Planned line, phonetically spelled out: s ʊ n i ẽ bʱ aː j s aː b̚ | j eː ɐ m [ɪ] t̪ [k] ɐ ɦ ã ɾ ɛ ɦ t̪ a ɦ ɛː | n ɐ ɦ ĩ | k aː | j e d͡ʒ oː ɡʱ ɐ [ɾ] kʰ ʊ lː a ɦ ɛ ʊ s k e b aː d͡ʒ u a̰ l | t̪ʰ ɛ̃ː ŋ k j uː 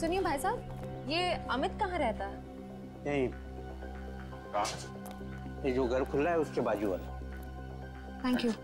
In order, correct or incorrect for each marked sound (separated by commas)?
correct, correct, correct